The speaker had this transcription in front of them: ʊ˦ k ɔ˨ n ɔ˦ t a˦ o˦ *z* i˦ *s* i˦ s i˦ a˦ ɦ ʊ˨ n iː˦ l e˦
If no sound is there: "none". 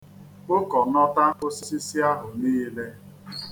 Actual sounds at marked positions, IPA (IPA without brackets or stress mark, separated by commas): s, s